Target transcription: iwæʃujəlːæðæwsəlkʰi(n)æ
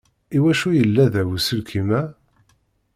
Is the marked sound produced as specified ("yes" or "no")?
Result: no